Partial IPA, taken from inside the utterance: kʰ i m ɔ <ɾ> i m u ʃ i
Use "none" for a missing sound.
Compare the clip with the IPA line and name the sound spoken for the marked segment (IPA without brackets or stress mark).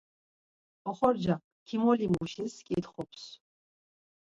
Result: l